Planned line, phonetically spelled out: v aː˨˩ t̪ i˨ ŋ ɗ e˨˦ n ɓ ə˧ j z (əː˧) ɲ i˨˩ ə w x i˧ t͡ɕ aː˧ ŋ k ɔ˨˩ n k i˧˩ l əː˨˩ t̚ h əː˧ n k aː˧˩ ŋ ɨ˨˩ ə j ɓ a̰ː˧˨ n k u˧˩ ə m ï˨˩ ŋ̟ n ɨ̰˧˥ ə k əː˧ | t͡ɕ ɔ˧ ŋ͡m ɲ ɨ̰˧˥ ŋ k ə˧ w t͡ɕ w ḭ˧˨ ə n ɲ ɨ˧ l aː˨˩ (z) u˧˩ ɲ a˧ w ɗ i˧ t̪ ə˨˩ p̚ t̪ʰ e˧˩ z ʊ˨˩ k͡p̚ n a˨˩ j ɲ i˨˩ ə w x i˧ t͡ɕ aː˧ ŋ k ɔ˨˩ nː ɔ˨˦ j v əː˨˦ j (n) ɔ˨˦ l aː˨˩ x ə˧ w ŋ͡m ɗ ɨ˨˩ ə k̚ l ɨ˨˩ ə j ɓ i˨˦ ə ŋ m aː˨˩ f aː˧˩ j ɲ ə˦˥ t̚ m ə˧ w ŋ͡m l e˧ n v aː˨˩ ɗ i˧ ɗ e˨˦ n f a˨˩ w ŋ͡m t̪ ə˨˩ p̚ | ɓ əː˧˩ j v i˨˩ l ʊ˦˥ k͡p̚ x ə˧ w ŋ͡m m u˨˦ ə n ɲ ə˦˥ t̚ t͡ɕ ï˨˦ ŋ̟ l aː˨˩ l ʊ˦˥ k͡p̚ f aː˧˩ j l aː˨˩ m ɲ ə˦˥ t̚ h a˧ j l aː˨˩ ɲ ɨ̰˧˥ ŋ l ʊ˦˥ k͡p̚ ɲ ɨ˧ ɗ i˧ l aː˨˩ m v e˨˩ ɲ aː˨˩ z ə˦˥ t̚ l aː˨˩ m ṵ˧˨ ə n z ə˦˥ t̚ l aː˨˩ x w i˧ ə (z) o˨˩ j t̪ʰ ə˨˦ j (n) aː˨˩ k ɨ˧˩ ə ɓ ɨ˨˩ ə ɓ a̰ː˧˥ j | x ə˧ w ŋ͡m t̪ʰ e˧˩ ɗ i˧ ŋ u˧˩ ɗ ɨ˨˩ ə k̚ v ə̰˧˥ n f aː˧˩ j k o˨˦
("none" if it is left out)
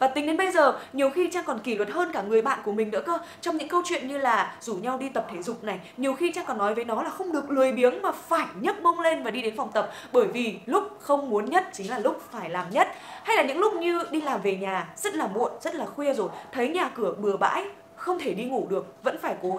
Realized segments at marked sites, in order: əː˨˩, z, n, z, ɲ

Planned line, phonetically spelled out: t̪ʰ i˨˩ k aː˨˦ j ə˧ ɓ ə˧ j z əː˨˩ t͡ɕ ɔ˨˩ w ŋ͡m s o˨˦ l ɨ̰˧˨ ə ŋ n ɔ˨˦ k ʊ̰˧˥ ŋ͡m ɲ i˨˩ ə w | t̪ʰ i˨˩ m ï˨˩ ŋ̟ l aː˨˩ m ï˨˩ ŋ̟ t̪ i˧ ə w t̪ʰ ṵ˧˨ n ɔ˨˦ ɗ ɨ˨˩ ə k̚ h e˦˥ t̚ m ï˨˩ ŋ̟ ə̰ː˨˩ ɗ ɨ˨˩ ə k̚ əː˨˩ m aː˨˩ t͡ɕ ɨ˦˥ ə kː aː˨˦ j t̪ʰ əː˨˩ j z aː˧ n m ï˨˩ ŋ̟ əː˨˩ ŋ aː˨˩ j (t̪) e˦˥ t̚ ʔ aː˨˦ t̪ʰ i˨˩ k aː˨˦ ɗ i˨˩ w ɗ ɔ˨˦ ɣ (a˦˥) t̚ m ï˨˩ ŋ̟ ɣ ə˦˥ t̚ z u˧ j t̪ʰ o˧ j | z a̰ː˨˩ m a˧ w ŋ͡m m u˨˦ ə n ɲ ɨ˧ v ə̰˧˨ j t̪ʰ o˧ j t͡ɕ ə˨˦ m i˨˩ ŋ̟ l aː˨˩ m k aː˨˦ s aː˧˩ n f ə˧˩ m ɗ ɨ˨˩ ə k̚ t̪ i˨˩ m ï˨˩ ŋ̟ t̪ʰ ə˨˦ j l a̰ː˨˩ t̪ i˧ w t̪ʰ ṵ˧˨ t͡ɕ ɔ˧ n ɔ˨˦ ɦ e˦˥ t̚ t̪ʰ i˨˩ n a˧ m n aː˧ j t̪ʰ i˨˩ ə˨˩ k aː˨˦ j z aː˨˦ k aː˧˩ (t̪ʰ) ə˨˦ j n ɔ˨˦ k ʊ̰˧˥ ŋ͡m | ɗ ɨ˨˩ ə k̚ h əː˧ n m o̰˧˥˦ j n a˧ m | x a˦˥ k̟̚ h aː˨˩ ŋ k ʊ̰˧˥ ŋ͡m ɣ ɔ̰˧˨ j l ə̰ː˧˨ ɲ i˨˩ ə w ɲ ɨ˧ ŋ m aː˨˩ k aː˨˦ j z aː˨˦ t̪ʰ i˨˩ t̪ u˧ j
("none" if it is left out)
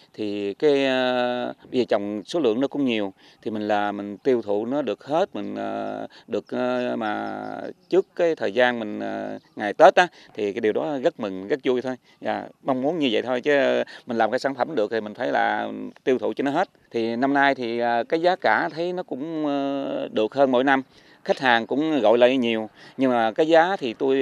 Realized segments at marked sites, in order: t̪, ə˦˥, t̪ʰ

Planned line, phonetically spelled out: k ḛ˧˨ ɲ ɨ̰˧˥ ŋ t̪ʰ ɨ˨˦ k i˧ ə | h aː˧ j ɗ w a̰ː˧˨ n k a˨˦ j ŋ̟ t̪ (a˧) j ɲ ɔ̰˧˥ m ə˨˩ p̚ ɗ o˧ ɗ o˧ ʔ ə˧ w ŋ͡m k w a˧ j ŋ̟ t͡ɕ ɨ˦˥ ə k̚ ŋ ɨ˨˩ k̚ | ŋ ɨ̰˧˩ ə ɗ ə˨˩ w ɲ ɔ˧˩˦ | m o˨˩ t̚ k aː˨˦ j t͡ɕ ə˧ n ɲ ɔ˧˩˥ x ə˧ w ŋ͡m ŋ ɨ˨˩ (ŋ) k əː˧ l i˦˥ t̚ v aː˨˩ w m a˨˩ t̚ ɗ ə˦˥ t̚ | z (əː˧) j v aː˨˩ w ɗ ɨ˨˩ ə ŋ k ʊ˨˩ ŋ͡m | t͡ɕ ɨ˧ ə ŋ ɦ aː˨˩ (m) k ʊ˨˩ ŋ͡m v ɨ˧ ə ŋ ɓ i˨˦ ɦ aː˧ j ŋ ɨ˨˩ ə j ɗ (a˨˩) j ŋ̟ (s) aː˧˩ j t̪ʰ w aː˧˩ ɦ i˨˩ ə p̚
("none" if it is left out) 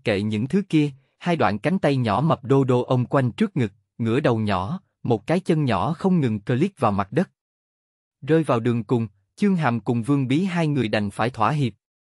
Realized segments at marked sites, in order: a˧, ŋ, əː˧, m, a˨˩, f

